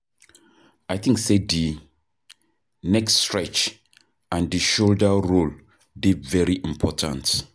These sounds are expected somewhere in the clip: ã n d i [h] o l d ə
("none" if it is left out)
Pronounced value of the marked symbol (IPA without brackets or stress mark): ʃ